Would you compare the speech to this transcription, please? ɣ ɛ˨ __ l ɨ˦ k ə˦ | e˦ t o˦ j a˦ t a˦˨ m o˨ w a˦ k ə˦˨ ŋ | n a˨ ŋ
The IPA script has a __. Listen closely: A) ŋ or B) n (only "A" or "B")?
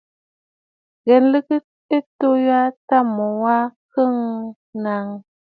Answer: B